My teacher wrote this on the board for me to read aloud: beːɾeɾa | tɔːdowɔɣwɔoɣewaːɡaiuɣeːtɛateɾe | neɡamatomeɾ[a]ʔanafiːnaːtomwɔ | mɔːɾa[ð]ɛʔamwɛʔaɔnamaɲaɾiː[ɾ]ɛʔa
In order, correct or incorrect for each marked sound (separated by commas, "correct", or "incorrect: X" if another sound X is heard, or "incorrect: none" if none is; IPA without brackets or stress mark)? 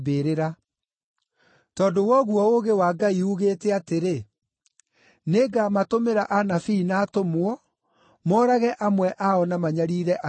correct, incorrect: ɣ, correct